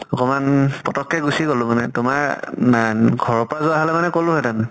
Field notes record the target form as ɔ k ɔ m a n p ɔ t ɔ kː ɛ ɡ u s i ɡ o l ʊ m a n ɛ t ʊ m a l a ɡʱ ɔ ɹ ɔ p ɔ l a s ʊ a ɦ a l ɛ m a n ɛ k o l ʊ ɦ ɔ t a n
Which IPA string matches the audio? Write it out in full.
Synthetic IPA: ɔ k ɔ m a n p ɔ t ɔ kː ɛ ɡ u s i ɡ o l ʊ m a n ɛ t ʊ m a ɹ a ɡʱ ɔ ɹ ɔ p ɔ ɹ a z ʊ a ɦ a l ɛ m a n ɛ k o l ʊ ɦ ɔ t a n